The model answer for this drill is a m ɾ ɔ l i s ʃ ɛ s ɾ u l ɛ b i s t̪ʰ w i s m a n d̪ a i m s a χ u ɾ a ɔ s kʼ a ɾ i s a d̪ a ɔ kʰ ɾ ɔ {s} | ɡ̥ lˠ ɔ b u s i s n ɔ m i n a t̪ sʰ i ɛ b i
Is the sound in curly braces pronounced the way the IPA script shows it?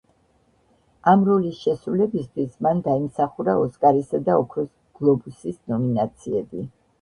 yes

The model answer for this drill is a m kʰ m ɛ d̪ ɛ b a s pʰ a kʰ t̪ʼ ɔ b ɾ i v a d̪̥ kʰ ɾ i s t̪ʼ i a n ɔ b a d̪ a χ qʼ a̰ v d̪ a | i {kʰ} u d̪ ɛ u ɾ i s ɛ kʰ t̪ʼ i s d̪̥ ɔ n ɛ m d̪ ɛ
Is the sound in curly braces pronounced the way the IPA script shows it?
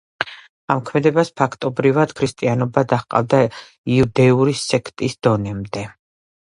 no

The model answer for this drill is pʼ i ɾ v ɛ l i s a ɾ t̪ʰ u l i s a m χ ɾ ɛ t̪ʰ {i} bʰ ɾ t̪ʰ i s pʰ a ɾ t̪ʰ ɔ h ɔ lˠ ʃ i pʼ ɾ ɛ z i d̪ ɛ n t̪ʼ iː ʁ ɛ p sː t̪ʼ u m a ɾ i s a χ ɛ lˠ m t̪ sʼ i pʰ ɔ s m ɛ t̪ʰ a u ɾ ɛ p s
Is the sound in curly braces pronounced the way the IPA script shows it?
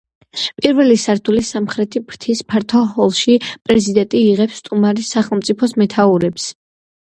yes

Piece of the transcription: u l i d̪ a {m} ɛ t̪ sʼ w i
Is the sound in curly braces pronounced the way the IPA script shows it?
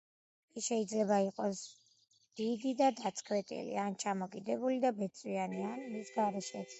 no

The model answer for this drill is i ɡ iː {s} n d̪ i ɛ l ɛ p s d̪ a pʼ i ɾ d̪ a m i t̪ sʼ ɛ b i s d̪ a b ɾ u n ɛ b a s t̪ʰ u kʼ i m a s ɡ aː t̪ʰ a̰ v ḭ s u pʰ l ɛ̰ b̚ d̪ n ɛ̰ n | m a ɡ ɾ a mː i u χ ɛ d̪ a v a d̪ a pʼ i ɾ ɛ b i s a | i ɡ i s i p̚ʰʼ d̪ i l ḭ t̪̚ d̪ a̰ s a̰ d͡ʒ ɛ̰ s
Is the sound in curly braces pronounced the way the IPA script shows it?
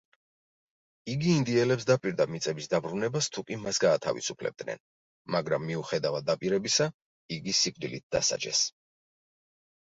no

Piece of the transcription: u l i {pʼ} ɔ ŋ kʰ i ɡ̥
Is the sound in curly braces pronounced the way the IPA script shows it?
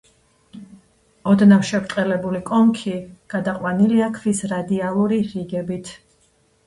no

